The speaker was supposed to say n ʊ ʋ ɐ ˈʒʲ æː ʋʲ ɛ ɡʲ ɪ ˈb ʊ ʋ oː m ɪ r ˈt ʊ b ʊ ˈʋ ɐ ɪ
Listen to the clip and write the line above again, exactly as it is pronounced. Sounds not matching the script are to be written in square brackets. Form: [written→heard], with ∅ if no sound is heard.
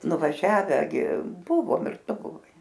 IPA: n ʊ ʋ ɐ ˈʒʲ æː ʋʲ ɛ ɡʲ ɪ ˈb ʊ ʋ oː m ɪ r ˈt ʊ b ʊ ˈʋ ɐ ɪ

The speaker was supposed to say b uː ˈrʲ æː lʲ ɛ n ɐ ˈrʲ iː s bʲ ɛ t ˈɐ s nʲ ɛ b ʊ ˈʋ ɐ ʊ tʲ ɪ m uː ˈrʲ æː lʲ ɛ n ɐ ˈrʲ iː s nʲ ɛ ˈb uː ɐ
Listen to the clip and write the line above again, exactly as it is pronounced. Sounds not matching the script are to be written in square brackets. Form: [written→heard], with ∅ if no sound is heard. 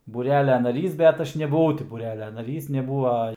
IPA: b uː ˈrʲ æː lʲ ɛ n ɐ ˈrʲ iː s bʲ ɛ t ˈɐ [s→ʃ] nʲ ɛ b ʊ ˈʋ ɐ ʊ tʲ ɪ [m→b] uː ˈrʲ æː lʲ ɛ n ɐ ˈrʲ iː s nʲ ɛ ˈb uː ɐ

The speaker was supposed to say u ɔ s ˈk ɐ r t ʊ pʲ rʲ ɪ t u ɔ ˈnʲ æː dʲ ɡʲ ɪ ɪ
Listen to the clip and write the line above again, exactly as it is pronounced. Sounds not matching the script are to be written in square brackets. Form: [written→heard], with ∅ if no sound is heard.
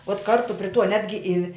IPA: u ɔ [s→t] ˈk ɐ r t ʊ pʲ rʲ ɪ t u ɔ ˈnʲ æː dʲ ɡʲ ɪ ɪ

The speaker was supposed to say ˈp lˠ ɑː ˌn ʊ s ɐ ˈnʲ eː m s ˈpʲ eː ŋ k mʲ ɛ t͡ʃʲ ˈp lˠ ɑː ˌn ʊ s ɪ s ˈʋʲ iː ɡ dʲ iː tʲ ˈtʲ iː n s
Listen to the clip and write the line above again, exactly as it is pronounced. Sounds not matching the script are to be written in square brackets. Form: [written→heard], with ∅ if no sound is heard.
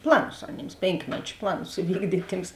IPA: ˈp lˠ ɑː ˌn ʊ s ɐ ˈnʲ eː m s ˈpʲ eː ŋ k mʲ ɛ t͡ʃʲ ˈp lˠ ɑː ˌn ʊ s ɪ [s→∅] ˈʋʲ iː ɡ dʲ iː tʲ ˈtʲ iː [n→m] s

